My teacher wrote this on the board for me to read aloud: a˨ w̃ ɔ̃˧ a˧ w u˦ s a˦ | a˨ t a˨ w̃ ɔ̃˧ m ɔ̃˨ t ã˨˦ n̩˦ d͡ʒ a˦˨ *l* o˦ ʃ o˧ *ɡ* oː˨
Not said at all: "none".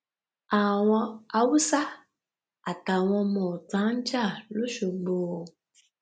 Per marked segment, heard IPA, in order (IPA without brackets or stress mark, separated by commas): l, ɡ͡b